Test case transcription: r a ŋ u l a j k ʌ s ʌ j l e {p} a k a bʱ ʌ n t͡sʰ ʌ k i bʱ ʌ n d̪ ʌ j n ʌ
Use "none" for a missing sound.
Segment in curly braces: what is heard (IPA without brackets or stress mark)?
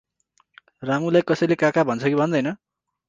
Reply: k